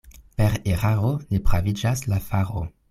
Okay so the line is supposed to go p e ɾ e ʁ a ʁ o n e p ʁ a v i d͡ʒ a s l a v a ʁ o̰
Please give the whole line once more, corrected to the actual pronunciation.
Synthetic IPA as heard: p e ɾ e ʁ a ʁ o n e p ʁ a v i d͡ʒ a s l a f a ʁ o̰